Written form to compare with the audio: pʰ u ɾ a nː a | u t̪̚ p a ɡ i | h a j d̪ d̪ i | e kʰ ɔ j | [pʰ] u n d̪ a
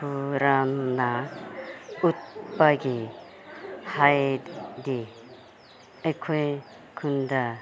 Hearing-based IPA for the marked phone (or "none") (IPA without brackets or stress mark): kʰ